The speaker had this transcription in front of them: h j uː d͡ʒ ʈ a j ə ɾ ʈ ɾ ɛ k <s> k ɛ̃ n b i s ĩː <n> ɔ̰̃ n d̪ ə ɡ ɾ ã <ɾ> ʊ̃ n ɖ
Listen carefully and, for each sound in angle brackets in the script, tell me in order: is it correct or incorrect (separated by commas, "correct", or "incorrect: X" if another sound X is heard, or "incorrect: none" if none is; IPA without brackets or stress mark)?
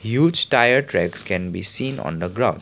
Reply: correct, correct, incorrect: none